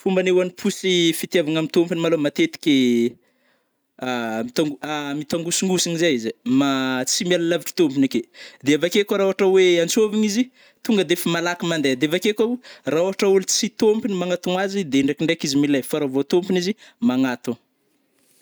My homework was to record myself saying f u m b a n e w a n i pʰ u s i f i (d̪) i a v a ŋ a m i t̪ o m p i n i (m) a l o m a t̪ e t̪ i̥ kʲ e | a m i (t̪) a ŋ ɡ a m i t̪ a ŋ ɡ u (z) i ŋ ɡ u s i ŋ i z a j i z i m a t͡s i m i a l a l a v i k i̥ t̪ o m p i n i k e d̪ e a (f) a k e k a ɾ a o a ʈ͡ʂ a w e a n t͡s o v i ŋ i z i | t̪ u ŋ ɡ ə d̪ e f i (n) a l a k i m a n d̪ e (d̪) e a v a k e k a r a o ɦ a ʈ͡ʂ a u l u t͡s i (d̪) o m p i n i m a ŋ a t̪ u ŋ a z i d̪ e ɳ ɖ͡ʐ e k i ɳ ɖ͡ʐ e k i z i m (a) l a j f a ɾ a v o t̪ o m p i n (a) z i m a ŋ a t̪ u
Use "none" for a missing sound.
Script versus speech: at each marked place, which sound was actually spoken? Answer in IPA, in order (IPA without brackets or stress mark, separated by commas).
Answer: t̪, m, t̪, s, v, m, d̪, t̪, i, i